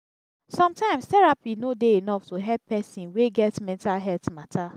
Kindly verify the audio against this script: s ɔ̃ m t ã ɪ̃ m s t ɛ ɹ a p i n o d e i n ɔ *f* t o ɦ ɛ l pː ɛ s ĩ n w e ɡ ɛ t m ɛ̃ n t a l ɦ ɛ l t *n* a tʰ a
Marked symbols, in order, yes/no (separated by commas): yes, no